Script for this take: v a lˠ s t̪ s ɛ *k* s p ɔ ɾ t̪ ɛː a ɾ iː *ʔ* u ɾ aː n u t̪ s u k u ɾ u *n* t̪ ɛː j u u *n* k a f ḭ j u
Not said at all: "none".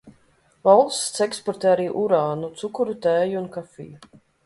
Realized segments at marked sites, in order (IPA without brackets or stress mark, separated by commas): k, ʔ, none, n